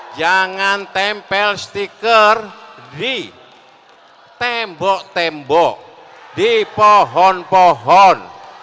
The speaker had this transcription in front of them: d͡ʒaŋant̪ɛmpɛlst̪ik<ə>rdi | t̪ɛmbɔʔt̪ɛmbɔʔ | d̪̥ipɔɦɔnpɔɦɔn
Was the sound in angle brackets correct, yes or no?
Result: yes